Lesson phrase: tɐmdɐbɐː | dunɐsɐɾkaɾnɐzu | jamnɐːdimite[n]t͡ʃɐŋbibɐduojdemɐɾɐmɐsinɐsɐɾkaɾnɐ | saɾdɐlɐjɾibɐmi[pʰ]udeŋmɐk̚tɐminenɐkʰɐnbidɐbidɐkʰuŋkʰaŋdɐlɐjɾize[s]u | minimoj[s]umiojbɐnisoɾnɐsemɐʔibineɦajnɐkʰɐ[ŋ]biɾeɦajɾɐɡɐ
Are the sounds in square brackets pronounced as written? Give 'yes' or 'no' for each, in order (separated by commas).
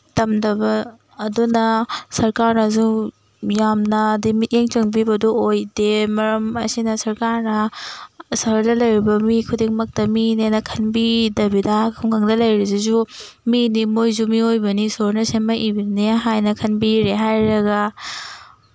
no, no, no, no, no